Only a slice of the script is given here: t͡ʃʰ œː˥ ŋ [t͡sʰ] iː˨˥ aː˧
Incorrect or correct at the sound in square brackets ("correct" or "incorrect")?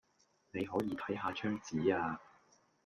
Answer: incorrect